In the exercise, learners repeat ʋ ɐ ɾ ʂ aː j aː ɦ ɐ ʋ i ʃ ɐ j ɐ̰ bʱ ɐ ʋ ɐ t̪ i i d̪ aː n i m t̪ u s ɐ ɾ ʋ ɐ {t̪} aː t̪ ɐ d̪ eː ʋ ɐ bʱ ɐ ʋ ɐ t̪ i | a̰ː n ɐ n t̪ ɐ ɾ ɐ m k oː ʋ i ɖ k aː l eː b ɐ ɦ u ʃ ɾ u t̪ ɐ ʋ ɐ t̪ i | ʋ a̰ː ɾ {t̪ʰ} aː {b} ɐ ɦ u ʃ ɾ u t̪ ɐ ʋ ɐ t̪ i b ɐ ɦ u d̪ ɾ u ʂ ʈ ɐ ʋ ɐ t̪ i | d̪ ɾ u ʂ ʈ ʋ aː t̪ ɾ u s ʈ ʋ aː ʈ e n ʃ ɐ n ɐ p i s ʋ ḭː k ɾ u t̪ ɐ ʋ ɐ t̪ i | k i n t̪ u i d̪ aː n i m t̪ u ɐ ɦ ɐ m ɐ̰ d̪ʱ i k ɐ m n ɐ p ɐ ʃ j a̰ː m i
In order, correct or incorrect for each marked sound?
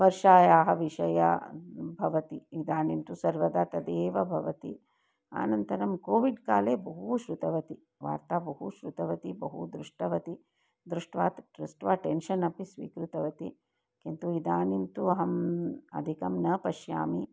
incorrect: d̪, incorrect: t̪, correct

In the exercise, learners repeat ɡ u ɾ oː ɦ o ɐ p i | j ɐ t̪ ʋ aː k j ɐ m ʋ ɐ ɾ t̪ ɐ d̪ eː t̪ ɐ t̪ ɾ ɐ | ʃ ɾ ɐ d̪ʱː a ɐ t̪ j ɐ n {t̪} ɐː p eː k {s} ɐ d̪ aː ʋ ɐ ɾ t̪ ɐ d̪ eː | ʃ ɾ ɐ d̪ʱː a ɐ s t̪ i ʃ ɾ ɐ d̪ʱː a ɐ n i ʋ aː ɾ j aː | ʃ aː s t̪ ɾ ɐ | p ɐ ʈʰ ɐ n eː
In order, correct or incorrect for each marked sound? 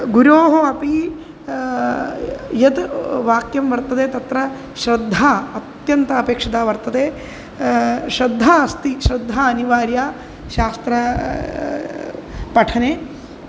correct, incorrect: ʂ

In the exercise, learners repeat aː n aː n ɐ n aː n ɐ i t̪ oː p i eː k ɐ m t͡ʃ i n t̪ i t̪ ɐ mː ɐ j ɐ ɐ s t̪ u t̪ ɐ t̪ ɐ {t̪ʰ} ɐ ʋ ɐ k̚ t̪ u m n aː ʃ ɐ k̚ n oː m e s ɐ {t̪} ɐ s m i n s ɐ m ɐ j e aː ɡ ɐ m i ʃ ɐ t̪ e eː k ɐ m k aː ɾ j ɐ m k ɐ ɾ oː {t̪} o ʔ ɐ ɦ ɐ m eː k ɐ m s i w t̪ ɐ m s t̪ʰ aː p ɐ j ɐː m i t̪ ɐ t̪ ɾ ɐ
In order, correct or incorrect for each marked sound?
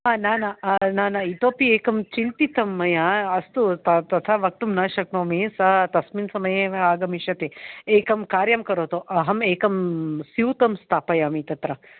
correct, correct, correct

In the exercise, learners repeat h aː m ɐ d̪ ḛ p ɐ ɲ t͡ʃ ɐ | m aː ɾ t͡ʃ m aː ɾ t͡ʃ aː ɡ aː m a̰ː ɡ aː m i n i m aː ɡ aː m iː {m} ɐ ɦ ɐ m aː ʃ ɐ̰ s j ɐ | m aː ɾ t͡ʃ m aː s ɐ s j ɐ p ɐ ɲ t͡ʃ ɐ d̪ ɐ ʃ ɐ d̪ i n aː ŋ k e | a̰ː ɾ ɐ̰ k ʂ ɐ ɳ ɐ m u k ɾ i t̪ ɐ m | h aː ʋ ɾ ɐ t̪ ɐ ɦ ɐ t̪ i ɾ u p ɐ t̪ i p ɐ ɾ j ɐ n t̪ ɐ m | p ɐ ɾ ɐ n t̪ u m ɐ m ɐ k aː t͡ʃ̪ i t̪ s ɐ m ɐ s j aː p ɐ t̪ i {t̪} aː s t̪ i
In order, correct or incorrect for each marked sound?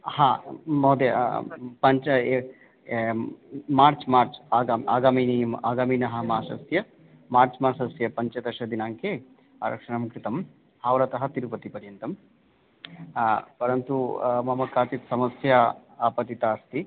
incorrect: n, correct

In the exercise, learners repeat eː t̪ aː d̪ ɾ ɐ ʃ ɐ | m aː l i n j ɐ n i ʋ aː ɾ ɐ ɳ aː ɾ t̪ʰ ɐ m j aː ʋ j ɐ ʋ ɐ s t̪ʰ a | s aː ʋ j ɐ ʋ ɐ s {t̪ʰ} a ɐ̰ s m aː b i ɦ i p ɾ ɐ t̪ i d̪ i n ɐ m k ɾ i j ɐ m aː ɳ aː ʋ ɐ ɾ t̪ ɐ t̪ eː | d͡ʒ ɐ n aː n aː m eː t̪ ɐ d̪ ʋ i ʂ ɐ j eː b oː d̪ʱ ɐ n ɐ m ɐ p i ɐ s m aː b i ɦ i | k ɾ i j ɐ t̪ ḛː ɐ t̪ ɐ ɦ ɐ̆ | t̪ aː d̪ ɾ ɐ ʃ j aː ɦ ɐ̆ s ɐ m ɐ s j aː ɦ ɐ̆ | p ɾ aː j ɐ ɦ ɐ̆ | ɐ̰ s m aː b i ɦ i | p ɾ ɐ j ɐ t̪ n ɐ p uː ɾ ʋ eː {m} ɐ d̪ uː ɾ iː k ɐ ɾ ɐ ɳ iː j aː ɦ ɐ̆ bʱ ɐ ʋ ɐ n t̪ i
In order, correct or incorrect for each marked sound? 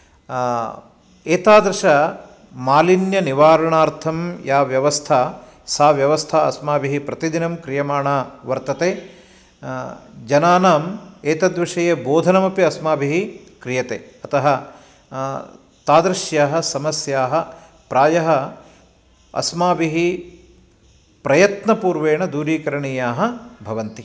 correct, incorrect: ɳ

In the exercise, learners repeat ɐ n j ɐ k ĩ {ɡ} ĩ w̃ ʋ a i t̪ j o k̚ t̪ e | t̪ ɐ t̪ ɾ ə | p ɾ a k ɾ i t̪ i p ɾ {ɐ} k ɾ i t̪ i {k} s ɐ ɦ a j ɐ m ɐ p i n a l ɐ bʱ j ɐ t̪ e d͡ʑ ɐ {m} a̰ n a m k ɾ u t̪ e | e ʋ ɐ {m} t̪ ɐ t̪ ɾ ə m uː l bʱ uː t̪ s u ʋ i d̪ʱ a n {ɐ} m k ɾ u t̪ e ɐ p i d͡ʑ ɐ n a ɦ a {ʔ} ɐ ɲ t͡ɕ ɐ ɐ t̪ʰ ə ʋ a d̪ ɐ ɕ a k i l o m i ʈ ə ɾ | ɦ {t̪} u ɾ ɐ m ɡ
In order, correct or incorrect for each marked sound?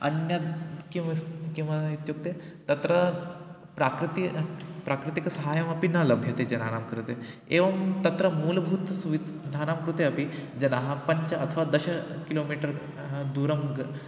incorrect: k, incorrect: a, correct, incorrect: n, correct, incorrect: a, incorrect: p, incorrect: d̪

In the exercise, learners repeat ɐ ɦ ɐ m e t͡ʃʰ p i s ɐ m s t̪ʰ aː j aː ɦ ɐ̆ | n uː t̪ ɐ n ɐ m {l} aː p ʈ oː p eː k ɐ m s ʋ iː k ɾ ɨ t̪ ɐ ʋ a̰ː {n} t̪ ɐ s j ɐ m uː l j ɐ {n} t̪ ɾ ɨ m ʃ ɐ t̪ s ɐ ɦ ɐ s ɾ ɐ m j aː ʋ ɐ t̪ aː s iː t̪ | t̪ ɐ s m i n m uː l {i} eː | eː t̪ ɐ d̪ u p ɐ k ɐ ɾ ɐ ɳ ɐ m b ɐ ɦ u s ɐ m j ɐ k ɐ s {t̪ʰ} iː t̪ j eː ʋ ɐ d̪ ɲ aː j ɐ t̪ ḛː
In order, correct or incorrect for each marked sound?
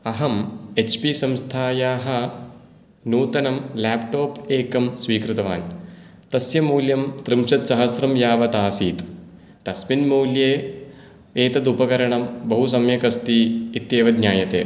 correct, correct, incorrect: m, incorrect: j, incorrect: t̪

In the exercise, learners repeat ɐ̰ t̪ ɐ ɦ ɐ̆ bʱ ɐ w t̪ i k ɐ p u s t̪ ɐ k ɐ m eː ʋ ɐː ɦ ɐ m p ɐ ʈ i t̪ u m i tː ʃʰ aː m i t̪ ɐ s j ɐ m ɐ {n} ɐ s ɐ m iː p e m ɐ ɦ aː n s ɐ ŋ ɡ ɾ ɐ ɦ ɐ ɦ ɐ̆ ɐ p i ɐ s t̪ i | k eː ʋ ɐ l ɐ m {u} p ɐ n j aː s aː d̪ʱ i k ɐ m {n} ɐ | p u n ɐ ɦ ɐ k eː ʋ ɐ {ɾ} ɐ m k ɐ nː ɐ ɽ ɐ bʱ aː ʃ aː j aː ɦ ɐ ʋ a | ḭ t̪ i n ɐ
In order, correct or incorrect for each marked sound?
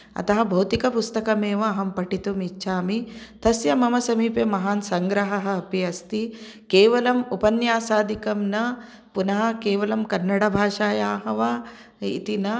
incorrect: m, correct, correct, incorrect: l

